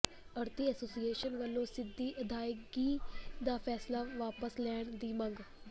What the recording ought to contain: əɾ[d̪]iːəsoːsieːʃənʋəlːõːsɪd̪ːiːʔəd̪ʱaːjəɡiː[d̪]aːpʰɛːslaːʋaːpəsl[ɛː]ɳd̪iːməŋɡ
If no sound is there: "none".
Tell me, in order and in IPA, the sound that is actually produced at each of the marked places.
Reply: t̪, d̪, ɛː

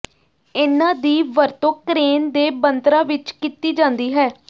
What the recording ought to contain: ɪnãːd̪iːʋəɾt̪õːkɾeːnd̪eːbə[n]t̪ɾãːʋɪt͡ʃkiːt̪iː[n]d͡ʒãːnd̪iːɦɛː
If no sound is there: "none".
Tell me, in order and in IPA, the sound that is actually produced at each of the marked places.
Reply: n, none

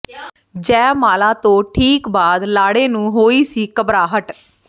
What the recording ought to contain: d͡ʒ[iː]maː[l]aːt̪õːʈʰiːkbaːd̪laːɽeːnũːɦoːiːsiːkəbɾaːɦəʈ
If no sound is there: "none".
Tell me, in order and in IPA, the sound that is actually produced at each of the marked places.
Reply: ɛː, l

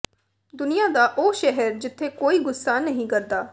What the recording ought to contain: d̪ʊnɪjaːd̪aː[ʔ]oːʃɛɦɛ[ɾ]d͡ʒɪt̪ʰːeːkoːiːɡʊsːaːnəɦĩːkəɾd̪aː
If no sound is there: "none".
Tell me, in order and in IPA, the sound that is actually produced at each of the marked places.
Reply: ʔ, ɾ

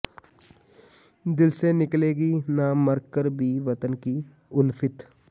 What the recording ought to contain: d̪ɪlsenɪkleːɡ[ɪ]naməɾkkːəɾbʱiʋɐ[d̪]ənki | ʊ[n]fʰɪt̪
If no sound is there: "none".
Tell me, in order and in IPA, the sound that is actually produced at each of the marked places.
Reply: i, t̪, n

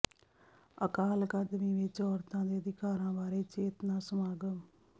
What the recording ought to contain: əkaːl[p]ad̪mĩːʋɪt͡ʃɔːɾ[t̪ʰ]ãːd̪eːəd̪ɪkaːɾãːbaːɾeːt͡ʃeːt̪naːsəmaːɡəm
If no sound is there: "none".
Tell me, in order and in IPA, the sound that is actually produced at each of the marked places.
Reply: k, t̪

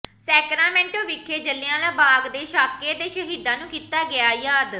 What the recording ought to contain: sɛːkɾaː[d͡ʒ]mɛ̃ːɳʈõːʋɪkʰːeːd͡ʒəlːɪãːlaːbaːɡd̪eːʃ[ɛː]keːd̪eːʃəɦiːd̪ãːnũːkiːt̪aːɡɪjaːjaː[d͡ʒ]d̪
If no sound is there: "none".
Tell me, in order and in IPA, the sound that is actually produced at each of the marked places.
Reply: none, aː, none

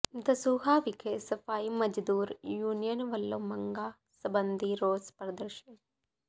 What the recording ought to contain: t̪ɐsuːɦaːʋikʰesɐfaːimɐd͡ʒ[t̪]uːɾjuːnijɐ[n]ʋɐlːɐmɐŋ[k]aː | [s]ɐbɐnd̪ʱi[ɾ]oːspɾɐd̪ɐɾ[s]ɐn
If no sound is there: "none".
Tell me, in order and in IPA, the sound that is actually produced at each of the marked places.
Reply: d̪, n, ɡ, s, ɾ, ʃ

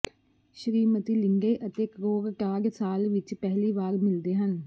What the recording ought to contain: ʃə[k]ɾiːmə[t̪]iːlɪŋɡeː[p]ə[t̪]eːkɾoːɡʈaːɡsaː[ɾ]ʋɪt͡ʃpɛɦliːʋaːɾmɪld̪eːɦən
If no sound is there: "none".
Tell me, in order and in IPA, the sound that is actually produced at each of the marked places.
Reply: none, t̪, ʔ, t̪, l

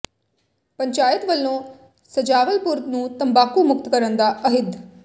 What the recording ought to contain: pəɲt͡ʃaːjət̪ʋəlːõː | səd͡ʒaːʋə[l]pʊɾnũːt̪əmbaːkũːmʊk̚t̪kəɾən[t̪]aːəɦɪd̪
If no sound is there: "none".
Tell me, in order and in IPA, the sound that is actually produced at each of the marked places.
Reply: l, d̪

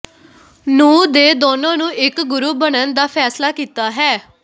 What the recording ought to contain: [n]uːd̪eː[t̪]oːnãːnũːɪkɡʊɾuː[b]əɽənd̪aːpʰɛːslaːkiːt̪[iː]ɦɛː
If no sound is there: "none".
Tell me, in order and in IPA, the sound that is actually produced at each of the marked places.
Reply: n, d̪, b, aː

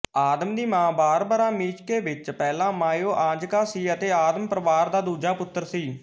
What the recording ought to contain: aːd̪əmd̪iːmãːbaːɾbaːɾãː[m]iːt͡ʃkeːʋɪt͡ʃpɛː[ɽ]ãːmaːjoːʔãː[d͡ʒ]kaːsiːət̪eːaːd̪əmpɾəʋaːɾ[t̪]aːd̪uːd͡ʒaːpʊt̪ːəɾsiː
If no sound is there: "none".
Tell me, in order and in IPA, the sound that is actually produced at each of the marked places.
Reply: m, l, d͡ʒ, d̪

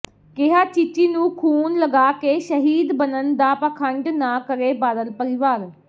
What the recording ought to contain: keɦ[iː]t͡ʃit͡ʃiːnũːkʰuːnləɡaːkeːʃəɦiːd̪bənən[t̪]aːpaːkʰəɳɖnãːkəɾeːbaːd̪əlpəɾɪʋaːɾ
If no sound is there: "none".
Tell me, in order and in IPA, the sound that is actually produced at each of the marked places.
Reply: aː, d̪

